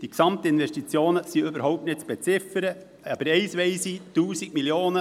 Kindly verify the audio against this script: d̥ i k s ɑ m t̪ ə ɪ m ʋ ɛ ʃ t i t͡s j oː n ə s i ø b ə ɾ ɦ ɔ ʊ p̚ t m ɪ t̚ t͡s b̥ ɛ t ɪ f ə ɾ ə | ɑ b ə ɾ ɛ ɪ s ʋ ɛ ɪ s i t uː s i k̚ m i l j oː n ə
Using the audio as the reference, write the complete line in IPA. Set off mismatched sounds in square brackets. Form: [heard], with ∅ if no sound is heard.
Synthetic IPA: d̥ i k s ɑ m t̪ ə ɪ [n] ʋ ɛ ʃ t i t͡s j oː n ə s i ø b ə ɾ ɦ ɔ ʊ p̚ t [n] ɪ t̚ t͡s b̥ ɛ [t͡s] ɪ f ə ɾ ə | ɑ b ə ɾ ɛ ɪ s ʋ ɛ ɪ s i t uː s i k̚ m i l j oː n ə